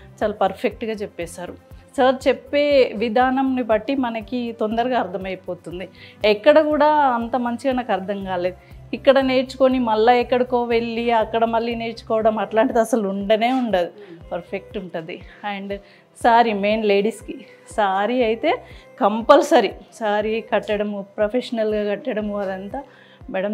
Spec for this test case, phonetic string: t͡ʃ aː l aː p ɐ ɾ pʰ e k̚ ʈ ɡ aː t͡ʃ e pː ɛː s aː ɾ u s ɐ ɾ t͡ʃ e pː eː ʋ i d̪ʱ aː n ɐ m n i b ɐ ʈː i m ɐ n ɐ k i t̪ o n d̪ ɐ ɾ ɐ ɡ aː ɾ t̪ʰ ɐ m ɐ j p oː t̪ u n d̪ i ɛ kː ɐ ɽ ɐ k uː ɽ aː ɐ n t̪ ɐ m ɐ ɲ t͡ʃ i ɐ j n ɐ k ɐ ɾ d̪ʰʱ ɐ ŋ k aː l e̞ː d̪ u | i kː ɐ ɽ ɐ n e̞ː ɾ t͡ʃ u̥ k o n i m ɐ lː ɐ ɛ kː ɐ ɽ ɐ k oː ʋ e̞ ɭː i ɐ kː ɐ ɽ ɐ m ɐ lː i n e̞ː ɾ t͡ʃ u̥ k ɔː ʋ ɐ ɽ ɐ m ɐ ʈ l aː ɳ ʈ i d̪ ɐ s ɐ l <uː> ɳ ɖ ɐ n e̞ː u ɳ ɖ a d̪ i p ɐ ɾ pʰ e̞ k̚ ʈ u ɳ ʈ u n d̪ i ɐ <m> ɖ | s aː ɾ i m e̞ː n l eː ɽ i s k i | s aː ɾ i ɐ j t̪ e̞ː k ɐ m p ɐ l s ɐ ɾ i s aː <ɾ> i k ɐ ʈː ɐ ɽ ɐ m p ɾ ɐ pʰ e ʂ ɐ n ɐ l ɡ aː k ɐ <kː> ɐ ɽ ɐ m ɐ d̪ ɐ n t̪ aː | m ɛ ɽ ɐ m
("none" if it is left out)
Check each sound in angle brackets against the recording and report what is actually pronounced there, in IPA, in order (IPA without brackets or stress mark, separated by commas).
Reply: u, ɳ, ɾ, ʈː